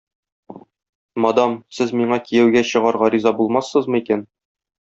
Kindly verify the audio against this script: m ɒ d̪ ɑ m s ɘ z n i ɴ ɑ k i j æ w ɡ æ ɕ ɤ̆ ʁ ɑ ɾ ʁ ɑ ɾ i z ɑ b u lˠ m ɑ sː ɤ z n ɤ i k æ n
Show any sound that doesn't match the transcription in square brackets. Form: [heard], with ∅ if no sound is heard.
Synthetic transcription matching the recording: m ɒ d̪ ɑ m s ɘ z [m] i ɴ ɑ k i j æ w ɡ æ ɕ ɤ̆ ʁ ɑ ɾ ʁ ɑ ɾ i z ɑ b u lˠ m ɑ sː ɤ z [m] ɤ i k æ n